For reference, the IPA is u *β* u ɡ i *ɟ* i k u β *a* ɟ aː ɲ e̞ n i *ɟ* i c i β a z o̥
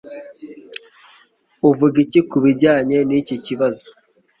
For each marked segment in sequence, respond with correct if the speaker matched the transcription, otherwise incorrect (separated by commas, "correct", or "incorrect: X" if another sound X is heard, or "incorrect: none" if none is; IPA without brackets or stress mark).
incorrect: v, incorrect: c, incorrect: i, incorrect: c